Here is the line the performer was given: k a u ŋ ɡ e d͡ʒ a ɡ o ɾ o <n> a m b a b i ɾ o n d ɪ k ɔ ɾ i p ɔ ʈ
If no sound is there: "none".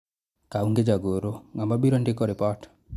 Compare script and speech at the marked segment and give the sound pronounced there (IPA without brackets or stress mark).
ŋ